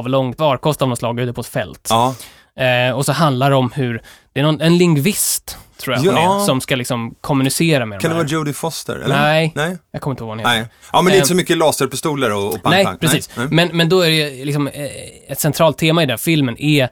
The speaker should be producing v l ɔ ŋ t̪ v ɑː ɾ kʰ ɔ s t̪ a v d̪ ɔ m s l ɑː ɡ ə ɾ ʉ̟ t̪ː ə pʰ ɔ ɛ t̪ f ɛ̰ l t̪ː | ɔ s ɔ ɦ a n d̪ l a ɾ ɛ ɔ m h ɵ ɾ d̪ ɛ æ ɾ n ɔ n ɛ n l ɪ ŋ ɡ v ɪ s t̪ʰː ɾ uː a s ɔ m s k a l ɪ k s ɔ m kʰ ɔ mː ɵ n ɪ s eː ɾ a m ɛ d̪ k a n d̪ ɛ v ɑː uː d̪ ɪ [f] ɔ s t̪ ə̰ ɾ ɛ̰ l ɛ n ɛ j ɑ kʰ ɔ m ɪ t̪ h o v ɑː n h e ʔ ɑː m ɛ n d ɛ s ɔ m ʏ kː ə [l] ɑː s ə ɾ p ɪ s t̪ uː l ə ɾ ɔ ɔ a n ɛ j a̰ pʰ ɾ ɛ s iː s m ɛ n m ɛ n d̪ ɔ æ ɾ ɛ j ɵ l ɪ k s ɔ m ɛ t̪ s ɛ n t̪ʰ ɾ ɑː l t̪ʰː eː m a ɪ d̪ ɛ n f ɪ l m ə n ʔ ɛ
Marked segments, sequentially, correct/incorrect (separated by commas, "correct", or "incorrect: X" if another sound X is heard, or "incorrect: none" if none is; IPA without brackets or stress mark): correct, correct